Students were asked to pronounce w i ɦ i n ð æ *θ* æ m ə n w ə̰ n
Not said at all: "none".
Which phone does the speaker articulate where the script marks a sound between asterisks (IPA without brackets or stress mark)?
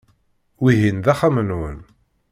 χ